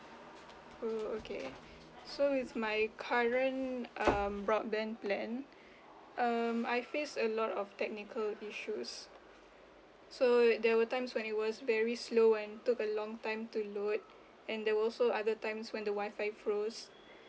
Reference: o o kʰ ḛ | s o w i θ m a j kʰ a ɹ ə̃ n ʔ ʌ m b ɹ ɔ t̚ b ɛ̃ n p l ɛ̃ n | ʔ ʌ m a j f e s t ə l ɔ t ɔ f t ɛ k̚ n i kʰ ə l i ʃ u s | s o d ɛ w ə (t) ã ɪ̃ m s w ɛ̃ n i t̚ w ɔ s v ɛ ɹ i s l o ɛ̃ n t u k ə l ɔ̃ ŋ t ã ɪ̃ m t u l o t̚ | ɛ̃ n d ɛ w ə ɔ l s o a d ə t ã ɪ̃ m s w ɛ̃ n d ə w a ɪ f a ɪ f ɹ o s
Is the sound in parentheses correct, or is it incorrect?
correct